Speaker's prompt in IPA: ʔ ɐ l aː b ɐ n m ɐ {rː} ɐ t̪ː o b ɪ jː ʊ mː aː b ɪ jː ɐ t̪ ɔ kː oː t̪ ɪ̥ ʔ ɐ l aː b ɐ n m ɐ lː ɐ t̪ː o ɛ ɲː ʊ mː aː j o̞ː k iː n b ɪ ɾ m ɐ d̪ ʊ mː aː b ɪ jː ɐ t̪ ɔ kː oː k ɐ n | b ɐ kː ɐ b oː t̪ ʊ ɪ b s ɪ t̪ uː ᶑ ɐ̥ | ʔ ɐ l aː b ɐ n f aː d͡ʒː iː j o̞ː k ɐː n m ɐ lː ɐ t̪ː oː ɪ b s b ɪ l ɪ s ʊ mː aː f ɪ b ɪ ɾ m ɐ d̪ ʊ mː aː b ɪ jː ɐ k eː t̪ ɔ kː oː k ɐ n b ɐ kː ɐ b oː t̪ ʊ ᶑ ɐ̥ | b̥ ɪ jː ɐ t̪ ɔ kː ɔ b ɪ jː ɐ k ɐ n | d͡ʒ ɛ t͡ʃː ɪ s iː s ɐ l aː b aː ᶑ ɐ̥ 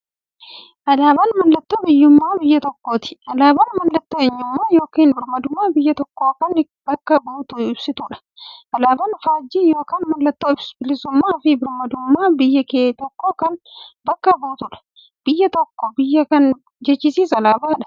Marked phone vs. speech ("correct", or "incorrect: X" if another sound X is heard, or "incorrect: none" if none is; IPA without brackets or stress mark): incorrect: lː